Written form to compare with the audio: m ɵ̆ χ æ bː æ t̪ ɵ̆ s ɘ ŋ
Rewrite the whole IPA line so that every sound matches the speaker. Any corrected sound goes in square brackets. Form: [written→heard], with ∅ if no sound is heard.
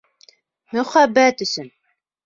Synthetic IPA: m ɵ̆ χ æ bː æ t̪ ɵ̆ s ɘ [ŋ→n]

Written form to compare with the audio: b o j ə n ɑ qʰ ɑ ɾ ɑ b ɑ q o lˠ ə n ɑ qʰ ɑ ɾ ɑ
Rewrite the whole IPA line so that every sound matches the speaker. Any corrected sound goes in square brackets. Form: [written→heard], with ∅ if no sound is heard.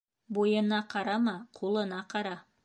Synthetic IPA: b o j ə n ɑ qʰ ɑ ɾ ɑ [b→m] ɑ [q→qʰ] o lˠ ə n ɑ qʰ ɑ ɾ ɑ

